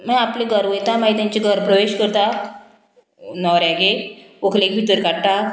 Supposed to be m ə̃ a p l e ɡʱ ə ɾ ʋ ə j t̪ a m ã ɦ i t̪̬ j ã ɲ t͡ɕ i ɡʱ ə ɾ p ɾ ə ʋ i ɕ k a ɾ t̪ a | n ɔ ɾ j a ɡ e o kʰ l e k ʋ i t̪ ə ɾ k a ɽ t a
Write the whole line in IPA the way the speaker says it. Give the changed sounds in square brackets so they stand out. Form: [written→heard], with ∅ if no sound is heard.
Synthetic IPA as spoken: m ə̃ a p l e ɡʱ ə ɾ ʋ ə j t̪ a m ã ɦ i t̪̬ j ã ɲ t͡ɕ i ɡʱ ə ɾ p ɾ ə ʋ [i→e] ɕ k [a→ə] ɾ t̪ a | n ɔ ɾ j a ɡ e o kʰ l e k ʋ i t̪ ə ɾ k a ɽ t a